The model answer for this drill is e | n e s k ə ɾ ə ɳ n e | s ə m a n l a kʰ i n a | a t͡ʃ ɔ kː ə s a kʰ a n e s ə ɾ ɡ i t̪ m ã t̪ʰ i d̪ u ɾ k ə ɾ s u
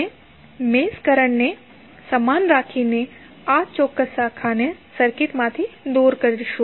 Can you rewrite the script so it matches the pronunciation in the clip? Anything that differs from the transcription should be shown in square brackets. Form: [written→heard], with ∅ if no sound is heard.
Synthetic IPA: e | [n→m] e s k ə ɾ ə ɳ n e | s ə m a n [l→ɾ] a kʰ i n [a→e] | a t͡ʃ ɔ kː ə s a kʰ a n e s ə ɾ [ɡ→k] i t̪ m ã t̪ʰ i d̪ u ɾ k ə ɾ [s→ʃ] u

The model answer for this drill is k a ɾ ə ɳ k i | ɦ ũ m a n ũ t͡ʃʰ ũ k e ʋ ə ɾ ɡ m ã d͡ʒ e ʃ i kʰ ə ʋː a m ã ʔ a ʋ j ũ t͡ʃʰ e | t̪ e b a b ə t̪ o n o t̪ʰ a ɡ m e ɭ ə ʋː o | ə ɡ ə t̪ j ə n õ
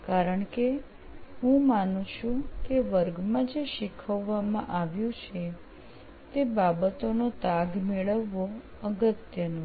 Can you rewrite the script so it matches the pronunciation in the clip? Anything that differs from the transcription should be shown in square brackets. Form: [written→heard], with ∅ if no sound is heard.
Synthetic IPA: k a ɾ ə ɳ k [i→e] | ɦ ũ m a n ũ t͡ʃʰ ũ k e ʋ ə ɾ ɡ m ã d͡ʒ e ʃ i kʰ ə ʋː a m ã ʔ a ʋ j ũ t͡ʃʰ e | t̪ e b a b ə t̪ o n o [t̪ʰ→t̪] a ɡ m e ɭ ə ʋː o | ə ɡ ə t̪ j ə n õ

